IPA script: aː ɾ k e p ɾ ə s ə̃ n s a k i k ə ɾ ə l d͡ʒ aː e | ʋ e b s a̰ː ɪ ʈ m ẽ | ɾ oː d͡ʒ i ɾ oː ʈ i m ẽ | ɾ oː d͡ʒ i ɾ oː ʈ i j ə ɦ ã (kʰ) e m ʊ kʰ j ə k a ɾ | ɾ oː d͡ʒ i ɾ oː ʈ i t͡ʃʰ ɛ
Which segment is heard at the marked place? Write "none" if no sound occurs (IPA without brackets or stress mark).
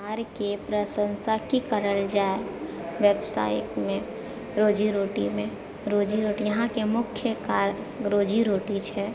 k